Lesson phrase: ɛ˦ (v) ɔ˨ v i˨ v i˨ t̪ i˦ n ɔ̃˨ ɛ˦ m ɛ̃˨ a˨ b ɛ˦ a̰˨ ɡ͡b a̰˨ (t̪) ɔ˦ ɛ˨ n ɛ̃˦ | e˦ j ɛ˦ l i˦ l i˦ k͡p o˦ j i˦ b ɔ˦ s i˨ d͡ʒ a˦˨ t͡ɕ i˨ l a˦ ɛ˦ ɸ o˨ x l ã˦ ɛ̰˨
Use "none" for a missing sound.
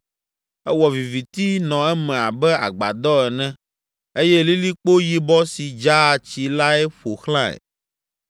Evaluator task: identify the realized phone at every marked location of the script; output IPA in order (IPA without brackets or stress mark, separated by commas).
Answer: w, d̪